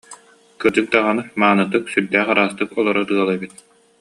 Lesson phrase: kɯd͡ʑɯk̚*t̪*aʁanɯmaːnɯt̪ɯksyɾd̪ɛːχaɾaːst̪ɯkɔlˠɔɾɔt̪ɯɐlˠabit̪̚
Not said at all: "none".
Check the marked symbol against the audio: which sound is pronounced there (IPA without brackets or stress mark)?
d̪